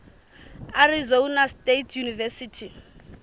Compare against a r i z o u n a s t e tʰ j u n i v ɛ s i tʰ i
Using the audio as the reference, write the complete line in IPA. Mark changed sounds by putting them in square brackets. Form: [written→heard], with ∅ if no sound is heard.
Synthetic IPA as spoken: a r i z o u n a s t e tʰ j u n i v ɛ s i tʰ i